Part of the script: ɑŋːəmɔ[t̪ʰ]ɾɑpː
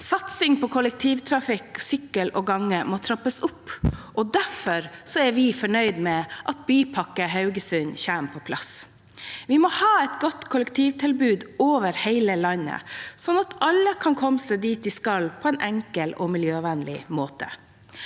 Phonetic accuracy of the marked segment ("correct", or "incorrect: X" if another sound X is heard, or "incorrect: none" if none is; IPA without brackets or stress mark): correct